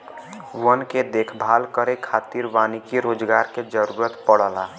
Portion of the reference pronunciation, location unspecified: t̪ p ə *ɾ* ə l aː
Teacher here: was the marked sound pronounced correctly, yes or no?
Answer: no